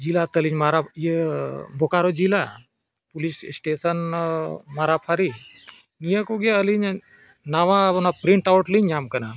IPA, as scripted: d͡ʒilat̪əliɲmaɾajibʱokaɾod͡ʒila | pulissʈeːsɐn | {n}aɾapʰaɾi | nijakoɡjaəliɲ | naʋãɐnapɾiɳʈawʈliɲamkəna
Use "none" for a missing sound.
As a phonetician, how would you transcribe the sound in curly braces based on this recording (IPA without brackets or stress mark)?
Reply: m